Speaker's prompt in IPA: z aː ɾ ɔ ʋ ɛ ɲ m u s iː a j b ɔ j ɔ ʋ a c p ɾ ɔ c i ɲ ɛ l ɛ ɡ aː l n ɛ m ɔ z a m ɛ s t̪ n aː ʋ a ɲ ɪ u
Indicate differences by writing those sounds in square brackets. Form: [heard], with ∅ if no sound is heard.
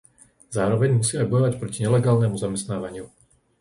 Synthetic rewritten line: z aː ɾ ɔ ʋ ɛ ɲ m u s iː a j b ɔ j ɔ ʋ a c p ɾ ɔ c i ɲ ɛ l ɛ ɡ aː l n ɛ m [u] z a m ɛ s t̪ n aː ʋ a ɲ ɪ u